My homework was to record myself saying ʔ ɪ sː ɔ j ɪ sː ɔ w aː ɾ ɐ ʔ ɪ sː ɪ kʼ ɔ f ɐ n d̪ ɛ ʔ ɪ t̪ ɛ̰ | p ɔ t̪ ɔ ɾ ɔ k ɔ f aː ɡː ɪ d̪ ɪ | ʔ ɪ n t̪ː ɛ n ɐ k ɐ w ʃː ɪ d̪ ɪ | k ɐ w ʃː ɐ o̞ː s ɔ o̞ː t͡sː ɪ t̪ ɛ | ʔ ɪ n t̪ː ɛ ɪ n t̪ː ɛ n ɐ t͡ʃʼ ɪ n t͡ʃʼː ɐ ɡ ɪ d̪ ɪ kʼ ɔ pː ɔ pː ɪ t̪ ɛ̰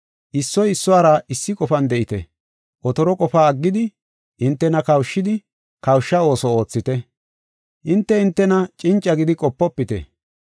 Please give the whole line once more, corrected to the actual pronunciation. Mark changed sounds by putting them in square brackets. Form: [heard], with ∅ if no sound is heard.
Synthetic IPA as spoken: ʔ ɪ sː ɔ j ɪ sː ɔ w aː ɾ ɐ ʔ ɪ sː ɪ kʼ ɔ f ɐ n d̪ ɛ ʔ ɪ t̪ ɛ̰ | [ʔ] ɔ t̪ ɔ ɾ ɔ [kʼ] ɔ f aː ɡː ɪ d̪ ɪ | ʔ ɪ n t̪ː ɛ n ɐ k ɐ w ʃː ɪ d̪ ɪ | k ɐ w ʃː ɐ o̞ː s ɔ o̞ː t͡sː ɪ t̪ ɛ | ʔ ɪ n t̪ː ɛ ɪ n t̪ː ɛ n ɐ t͡ʃʼ ɪ n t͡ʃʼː ɐ ɡ ɪ d̪ ɪ kʼ ɔ pː ɔ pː ɪ t̪ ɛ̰